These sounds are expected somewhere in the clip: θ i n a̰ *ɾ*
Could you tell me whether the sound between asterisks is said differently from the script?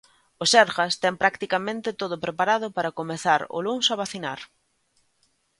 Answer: no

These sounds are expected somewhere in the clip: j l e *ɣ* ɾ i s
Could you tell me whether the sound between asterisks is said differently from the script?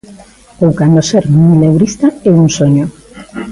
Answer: yes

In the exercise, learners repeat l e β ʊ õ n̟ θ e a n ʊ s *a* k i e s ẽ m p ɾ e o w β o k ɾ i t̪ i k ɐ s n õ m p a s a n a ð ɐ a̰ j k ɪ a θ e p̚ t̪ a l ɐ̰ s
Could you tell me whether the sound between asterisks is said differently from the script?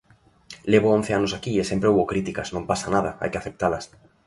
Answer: no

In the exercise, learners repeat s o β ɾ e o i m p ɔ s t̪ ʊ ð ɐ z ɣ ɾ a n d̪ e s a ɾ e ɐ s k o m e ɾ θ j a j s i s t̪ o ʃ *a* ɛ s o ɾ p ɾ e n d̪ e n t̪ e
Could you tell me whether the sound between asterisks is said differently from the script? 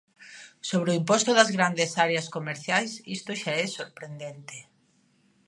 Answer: no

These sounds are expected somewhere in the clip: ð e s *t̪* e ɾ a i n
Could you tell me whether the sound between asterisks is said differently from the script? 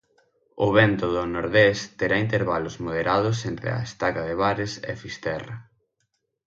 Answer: no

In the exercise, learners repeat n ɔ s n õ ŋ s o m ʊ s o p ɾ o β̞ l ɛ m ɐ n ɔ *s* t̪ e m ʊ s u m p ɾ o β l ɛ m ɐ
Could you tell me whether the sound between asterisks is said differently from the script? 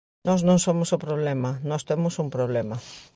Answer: no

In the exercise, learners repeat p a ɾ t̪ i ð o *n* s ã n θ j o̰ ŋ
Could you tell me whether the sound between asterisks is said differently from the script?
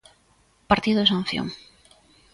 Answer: yes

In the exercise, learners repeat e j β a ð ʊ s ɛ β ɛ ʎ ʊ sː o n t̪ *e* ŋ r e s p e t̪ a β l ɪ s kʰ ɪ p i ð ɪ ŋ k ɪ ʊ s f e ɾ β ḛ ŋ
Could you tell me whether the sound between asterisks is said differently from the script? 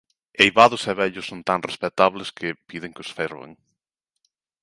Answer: yes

